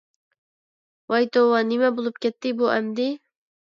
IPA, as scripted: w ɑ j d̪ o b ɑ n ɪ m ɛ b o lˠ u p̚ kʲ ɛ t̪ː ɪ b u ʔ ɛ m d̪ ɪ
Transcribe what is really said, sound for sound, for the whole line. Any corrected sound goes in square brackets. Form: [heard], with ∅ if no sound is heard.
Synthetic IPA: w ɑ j [t̪] o [w] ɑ n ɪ m ɛ b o lˠ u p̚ kʲ ɛ t̪ː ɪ b u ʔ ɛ m d̪ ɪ